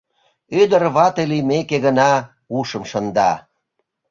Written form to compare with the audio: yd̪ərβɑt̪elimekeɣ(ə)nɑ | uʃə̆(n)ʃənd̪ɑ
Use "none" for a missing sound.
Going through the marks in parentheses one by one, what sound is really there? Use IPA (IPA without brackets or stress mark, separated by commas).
ə, m